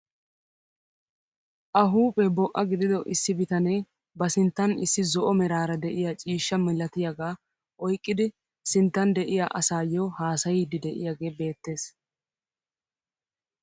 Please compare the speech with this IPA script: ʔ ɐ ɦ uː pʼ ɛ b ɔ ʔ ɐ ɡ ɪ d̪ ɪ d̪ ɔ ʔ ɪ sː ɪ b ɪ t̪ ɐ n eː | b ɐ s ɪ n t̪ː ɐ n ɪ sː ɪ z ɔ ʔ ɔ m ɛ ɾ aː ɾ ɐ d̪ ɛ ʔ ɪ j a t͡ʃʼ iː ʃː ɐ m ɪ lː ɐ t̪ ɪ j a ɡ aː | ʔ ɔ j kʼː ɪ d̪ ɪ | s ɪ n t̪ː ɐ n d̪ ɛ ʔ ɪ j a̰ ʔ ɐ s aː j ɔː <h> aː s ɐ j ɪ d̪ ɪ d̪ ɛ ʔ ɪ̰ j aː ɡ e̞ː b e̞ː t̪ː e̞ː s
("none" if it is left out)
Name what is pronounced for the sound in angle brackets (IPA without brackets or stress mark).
h